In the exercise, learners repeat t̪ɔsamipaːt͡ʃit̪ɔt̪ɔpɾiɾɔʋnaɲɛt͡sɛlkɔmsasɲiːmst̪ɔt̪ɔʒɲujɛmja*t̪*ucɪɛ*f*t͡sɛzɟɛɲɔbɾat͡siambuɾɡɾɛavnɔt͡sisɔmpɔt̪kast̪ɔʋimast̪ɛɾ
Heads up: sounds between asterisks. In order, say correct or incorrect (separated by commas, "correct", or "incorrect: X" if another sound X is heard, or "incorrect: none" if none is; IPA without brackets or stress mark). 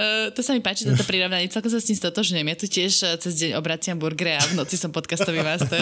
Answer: correct, incorrect: ʃ